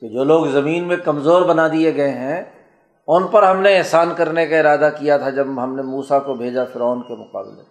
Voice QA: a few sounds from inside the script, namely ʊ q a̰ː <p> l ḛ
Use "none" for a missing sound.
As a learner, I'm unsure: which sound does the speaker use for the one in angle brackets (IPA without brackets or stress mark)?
b